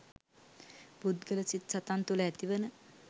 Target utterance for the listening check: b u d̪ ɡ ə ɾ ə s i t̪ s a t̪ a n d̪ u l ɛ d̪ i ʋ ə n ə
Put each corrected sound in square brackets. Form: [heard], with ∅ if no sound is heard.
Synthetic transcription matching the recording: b u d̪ ɡ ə [l] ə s i t̪ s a t̪ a n [t̪] u l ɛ [t̪] i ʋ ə n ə